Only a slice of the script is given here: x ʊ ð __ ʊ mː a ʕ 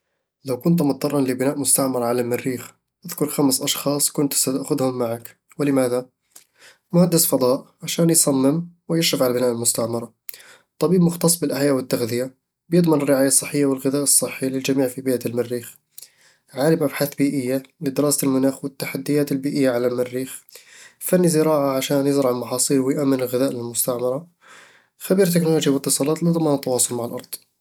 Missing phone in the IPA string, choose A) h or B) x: A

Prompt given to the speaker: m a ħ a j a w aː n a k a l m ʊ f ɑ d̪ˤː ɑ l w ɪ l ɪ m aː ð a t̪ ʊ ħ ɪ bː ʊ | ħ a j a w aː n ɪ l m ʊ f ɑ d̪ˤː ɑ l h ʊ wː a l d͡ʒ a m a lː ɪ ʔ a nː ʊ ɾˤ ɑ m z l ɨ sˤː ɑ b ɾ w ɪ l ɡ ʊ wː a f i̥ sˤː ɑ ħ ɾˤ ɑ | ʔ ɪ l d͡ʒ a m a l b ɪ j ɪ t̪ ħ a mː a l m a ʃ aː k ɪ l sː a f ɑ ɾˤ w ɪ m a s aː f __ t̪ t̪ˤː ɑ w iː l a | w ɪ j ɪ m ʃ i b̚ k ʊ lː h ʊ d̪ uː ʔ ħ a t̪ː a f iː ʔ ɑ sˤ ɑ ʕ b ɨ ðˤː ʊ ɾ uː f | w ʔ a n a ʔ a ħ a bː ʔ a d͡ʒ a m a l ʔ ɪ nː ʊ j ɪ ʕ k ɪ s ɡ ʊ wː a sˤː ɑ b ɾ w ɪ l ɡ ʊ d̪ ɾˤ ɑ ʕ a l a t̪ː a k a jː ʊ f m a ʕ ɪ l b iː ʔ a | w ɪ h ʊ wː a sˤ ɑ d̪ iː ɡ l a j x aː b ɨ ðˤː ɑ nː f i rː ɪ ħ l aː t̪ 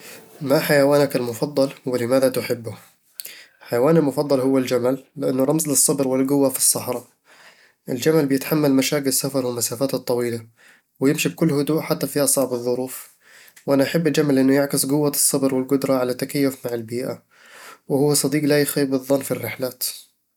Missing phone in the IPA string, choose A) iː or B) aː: B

